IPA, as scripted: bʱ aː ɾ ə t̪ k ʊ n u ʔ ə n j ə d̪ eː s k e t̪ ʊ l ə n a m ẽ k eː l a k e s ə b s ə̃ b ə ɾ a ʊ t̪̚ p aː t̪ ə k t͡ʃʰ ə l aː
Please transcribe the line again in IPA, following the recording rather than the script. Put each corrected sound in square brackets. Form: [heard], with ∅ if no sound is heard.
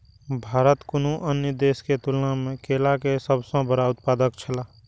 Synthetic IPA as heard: bʱ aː ɾ ə t̪ k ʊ n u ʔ ə n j ə d̪ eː s k e t̪ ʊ l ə n a m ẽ k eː l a k e s ə b s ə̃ b ə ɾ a ʊ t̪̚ p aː [d̪] ə k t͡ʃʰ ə l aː